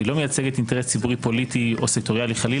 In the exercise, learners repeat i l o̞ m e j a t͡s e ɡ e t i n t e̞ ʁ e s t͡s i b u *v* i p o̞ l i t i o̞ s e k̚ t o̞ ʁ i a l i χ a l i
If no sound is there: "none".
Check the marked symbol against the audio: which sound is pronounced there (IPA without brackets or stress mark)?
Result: ʁ